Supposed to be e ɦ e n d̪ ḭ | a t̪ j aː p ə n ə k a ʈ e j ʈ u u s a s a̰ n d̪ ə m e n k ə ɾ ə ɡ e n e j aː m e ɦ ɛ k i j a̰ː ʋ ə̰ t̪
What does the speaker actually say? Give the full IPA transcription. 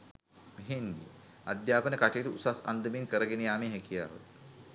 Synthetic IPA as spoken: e ɦ e n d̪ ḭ | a d̪ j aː p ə n ə k a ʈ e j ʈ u u s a s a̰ n d̪ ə m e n k ə ɾ ə ɡ e n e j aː m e ɦ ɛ k i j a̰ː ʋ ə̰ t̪